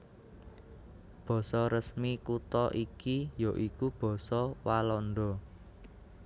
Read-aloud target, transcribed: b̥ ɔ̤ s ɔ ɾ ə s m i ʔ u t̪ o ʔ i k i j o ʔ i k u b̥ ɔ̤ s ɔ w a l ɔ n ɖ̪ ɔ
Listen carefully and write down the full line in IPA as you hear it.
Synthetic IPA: b̥ ɔ̤ s ɔ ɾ ə s m i k u t̪ ɔ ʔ i k i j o ʔ i k u b̥ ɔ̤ s ɔ w a l ɔ n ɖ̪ ɔ